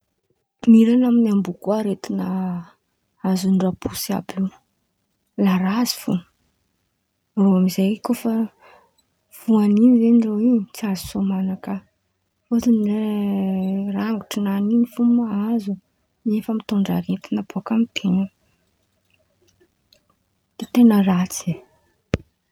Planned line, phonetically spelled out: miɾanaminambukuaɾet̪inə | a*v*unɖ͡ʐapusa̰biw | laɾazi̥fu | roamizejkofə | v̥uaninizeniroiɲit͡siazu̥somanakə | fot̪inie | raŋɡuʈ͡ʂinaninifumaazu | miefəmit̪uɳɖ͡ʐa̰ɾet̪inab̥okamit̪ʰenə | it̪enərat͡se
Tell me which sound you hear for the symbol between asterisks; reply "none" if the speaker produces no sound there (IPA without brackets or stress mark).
z